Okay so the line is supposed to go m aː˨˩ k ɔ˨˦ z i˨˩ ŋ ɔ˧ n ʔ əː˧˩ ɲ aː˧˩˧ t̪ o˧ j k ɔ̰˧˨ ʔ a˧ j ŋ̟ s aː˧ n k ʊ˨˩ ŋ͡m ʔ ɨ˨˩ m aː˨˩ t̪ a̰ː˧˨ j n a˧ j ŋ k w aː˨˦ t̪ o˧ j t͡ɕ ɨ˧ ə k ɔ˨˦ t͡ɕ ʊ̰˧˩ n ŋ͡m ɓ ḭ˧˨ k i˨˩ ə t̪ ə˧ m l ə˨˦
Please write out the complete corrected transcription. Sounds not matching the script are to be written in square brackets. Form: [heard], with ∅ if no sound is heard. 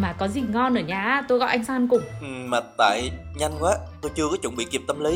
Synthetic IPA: m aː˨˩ k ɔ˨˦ z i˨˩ ŋ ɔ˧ n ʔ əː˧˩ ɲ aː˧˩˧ t̪ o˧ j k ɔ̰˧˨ ʔ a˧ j ŋ̟ s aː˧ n k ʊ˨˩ ŋ͡m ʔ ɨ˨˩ m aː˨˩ t̪ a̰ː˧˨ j [ɲ] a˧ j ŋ k w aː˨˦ t̪ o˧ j t͡ɕ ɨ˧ ə k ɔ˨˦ t͡ɕ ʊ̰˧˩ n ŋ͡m ɓ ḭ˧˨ k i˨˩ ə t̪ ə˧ m l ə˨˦